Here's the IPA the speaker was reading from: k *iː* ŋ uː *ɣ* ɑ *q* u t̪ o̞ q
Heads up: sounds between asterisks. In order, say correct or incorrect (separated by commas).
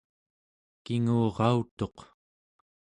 incorrect, incorrect, incorrect